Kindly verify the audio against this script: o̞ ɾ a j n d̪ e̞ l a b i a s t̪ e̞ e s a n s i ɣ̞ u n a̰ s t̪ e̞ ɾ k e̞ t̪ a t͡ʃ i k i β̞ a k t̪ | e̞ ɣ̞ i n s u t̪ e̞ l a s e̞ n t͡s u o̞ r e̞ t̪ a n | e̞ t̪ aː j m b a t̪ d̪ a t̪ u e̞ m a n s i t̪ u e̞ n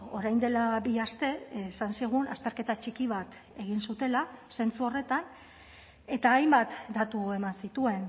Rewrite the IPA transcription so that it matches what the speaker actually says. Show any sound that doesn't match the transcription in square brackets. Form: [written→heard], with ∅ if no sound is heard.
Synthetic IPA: o̞ ɾ a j n d̪ e̞ l a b i a s t̪ e̞ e s a n s i ɣ̞ u n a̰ s t̪ e̞ ɾ k e̞ t̪ a t͡ʃ i k i β̞ a [k→∅] t̪ | e̞ ɣ̞ i n s u t̪ e̞ l a s e̞ n t͡s u o̞ r e̞ t̪ a n | e̞ t̪ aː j m b a t̪ d̪ a t̪ u e̞ m a n s i t̪ u e̞ n